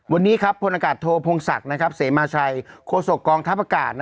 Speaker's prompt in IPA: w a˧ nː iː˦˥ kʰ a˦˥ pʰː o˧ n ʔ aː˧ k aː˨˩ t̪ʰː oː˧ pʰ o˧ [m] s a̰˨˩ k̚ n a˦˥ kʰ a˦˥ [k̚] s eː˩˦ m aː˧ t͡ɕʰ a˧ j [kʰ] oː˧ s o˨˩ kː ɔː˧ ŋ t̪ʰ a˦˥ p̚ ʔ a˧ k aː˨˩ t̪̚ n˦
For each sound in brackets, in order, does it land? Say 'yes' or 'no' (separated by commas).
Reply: no, no, yes